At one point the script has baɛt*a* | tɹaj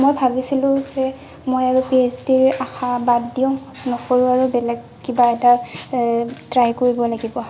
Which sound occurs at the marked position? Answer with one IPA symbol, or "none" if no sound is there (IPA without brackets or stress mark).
a